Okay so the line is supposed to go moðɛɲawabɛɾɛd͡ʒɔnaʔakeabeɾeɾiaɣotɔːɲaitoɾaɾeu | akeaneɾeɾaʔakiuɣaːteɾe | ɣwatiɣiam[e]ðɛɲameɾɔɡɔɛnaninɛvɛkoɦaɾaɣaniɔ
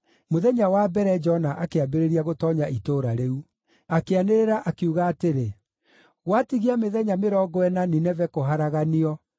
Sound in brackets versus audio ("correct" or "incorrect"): correct